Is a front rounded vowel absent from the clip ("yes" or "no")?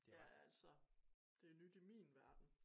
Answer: no